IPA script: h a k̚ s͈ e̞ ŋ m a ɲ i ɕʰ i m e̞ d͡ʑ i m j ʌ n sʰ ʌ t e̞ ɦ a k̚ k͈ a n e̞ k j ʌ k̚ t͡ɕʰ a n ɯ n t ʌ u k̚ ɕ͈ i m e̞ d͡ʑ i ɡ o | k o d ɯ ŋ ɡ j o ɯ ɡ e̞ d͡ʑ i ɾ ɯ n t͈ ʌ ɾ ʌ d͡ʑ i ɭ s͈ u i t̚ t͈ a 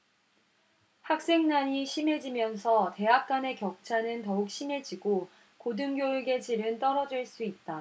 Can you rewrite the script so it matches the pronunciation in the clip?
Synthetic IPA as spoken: h a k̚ s͈ e̞ ŋ n a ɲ i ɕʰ i m e̞ d͡ʑ i m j ʌ n sʰ ʌ t e̞ ɦ a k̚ k͈ a n e̞ k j ʌ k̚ t͡ɕʰ a n ɯ n t ʌ u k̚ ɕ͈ i m e̞ d͡ʑ i ɡ o | k o d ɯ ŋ ɡ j o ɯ ɡ e̞ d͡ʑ i ɾ ɯ n t͈ ʌ ɾ ʌ d͡ʑ i ɭ s͈ u i t̚ t͈ a

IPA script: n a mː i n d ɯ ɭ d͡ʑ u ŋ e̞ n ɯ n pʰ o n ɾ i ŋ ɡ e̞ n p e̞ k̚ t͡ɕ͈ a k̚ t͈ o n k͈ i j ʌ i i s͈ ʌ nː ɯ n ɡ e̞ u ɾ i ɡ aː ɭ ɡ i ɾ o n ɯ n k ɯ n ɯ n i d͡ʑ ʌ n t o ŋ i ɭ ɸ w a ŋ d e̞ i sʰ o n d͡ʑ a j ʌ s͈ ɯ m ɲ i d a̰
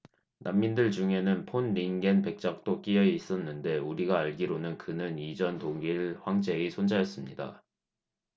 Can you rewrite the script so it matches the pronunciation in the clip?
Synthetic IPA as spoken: n a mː i n d ɯ ɭ d͡ʑ u ŋ e̞ n ɯ n pʰ o n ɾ i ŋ ɡ e̞ n p e̞ k̚ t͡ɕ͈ a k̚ t͈ o k͈ i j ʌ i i s͈ ʌ nː ɯ n d e̞ u ɾ i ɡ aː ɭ ɡ i ɾ o n ɯ n k ɯ n ɯ n i d͡ʑ ʌ n t o ŋ i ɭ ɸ w a ŋ d͡ʑ e̞ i sʰ o n d͡ʑ a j ʌ s͈ ɯ m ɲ i d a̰

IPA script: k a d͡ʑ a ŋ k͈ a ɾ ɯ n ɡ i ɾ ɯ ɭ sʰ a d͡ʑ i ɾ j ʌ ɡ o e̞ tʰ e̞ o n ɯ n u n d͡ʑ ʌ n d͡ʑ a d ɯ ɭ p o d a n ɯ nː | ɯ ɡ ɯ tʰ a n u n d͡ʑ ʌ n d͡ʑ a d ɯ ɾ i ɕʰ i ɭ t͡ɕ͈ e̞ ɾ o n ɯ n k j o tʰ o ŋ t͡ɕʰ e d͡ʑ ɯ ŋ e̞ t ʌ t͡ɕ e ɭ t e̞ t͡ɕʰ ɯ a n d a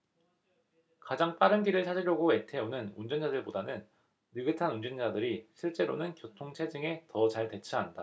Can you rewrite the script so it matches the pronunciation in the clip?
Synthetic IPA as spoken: k a d͡ʑ a ŋ p͈ a ɾ ɯ n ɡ i ɾ ɯ ɭ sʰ a d͡ʑ i ɾ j ʌ ɡ o e̞ tʰ e̞ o n ɯ n u n d͡ʑ ʌ n d͡ʑ a d ɯ ɭ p o d a n ɯ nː | ɯ ɡ ɯ tʰ a n u n d͡ʑ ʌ n d͡ʑ a d ɯ ɾ i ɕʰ i ɭ t͡ɕ͈ e̞ ɾ o n ɯ n k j o tʰ o ŋ t͡ɕʰ e d͡ʑ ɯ ŋ e̞ t ʌ t͡ɕ a ɭ t e̞ t͡ɕʰ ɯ a n d a

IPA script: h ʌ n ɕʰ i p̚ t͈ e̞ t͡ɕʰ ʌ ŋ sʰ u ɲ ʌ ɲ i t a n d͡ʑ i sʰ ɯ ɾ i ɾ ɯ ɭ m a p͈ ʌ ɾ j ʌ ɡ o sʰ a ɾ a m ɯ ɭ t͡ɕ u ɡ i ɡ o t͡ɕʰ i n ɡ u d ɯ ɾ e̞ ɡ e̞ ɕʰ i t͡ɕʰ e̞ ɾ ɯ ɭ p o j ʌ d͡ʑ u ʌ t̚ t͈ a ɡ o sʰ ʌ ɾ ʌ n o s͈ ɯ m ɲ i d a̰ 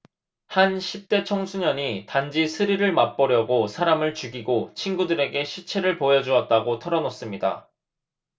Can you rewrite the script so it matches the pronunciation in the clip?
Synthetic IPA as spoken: h a n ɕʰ i p̚ t͈ e̞ t͡ɕʰ ʌ ŋ sʰ u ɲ ʌ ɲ i t a n d͡ʑ i sʰ ɯ ɾ i ɾ ɯ ɭ m a p͈ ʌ ɾ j ʌ ɡ o sʰ a ɾ a m ɯ ɭ t͡ɕ u ɡ i ɡ o t͡ɕʰ i n ɡ u d ɯ ɾ e̞ ɡ e̞ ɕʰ i t͡ɕʰ e̞ ɾ ɯ ɭ p o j ʌ d͡ʑ u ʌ t̚ t͈ a ɡ o tʰ ʌ ɾ ʌ n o s͈ ɯ m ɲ i d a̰

